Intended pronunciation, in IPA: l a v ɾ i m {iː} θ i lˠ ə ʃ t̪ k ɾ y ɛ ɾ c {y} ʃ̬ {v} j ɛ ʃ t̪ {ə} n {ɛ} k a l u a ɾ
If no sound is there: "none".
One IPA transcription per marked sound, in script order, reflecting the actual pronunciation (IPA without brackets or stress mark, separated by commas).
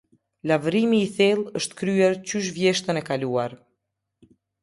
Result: iː, y, v, ə, ɛ